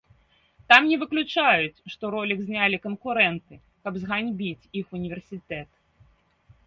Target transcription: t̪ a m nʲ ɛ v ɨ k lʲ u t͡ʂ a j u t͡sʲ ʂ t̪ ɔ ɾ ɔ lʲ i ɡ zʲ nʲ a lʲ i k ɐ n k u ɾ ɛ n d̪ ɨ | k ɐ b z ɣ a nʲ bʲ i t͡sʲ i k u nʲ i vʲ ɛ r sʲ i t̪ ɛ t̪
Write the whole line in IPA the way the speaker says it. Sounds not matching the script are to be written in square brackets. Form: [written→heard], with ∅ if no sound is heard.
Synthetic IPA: t̪ a m nʲ ɛ v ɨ k lʲ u t͡ʂ a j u t͡sʲ ʂ t̪ ɔ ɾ ɔ lʲ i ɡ zʲ nʲ a lʲ i k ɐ n k u ɾ ɛ n [d̪→t̪] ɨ | k ɐ b z ɣ a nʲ bʲ i t͡sʲ i [k→x] u nʲ i vʲ ɛ r sʲ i t̪ ɛ t̪